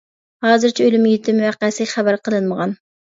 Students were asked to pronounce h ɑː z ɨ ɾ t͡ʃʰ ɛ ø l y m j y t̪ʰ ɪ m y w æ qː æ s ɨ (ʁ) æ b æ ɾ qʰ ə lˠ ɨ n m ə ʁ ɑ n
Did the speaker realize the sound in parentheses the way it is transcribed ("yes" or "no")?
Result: no